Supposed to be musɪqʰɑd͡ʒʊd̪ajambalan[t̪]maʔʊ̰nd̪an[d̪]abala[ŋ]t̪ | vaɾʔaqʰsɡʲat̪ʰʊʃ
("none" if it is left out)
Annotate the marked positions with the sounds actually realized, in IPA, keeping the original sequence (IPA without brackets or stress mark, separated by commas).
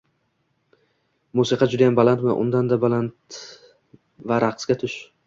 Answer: t̪, d̪, n